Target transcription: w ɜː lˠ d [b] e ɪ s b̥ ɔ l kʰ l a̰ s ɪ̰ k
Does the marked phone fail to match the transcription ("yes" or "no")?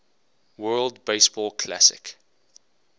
no